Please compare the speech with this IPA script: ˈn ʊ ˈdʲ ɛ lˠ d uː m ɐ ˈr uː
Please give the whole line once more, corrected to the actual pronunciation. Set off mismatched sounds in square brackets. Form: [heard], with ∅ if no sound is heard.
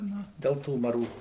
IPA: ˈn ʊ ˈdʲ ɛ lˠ [t] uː m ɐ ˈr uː